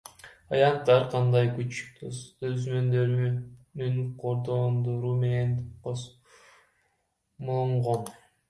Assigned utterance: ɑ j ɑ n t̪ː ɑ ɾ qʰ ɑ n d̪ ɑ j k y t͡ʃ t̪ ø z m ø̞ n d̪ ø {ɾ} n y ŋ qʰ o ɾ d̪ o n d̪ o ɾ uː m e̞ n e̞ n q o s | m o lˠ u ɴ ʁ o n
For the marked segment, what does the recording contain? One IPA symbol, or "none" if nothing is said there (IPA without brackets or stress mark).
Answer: ɾ